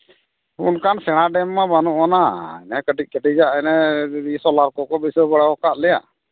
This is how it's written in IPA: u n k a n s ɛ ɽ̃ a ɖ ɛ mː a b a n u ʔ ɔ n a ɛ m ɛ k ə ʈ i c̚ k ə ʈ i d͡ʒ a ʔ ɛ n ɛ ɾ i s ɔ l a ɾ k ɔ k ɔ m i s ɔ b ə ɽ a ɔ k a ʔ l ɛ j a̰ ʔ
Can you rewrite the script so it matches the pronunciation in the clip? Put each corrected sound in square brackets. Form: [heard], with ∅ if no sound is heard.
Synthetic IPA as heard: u n k a n s ɛ ɽ̃ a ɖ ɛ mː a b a n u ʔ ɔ n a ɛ [n] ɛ k ə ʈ i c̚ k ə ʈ i d͡ʒ a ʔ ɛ n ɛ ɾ i s ɔ l a ɾ k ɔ k ɔ [b] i s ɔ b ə ɽ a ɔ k a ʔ l ɛ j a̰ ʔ